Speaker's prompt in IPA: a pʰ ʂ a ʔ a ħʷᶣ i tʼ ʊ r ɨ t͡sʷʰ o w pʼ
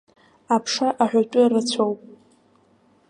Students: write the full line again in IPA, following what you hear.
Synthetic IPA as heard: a pʰ ʂ a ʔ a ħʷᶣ a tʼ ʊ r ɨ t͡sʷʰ o w pʼ